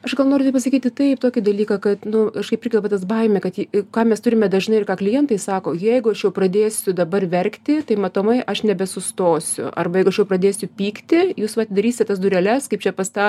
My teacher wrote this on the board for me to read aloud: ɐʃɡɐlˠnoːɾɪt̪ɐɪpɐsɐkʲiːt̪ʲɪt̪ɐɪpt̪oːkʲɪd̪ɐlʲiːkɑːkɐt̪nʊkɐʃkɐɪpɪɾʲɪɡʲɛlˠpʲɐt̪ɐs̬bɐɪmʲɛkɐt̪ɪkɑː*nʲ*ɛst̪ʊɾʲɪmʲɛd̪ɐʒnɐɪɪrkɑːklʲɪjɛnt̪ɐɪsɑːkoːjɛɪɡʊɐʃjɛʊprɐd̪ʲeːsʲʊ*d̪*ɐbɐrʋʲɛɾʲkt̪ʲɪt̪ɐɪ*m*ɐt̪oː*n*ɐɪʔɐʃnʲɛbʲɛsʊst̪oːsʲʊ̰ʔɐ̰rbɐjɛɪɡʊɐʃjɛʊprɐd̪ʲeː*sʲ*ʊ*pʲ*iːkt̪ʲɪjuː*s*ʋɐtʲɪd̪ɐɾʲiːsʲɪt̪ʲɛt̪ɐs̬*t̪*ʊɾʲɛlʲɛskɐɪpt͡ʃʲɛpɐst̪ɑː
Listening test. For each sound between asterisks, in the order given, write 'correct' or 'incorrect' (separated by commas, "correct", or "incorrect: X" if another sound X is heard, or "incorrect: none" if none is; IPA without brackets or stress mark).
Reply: incorrect: mʲ, correct, correct, incorrect: m, correct, correct, correct, incorrect: d̪